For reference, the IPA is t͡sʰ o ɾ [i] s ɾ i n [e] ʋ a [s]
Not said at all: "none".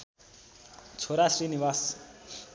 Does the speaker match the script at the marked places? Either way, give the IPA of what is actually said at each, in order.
a, i, s

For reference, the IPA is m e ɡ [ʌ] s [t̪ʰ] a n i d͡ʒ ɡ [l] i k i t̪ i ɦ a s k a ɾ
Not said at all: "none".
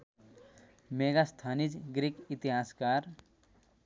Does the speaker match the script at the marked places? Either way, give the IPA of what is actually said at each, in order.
a, t̪ʰ, ɾ

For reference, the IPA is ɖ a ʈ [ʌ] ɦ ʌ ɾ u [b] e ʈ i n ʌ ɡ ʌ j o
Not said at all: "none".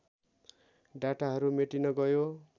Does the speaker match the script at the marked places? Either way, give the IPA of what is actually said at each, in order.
a, m

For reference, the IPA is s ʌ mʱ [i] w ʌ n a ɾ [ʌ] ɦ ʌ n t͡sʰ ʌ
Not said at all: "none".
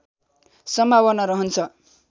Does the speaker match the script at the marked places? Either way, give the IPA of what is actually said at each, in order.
a, ʌ

